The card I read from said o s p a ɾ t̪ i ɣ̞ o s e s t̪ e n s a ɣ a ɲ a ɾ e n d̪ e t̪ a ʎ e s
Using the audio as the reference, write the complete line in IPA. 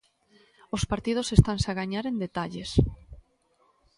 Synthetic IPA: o s p a ɾ t̪ i ð̞ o s e s t̪ a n s a ɣ a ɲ a ɾ e n d̪ e t̪ a ʎ e s